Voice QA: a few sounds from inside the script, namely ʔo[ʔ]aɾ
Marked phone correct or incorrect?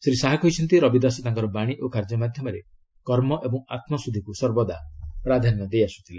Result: incorrect